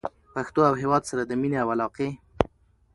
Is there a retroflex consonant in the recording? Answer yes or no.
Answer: no